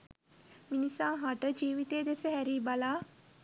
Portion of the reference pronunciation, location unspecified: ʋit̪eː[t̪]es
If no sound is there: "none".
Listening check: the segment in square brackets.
d̪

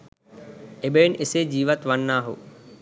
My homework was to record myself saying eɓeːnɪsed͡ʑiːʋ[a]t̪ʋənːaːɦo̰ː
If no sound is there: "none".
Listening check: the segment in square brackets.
ə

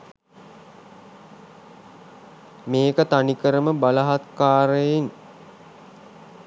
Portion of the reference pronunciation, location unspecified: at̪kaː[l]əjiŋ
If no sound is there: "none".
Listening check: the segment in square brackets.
ɾ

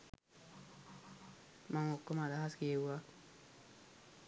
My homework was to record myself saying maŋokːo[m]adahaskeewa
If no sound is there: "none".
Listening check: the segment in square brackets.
m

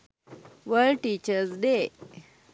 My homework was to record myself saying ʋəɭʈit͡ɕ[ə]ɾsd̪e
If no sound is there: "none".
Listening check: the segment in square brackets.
ə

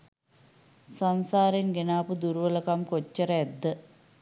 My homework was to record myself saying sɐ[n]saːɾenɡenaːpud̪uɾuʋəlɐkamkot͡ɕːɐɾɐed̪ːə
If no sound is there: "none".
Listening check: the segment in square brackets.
n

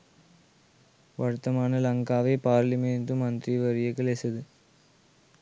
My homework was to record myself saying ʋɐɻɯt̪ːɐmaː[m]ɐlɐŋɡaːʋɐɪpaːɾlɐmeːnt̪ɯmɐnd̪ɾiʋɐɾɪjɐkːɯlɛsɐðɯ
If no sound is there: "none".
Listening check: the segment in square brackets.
n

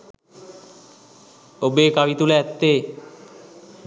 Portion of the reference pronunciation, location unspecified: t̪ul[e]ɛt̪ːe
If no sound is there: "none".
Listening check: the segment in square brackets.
e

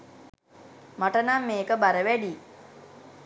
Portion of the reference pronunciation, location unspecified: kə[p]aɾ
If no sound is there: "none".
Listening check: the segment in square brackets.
b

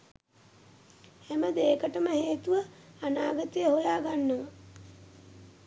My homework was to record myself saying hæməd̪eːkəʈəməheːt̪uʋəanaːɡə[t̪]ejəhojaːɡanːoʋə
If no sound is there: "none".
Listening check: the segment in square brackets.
t̪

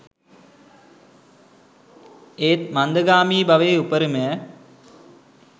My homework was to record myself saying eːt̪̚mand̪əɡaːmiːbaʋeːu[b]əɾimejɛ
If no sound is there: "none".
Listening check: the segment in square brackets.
p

